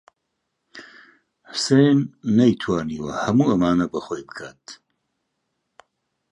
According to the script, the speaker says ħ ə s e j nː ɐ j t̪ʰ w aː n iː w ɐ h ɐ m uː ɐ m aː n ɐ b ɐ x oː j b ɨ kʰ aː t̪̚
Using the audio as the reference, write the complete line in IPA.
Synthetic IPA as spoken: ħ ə s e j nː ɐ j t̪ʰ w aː n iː w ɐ h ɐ m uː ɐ m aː n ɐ b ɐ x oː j b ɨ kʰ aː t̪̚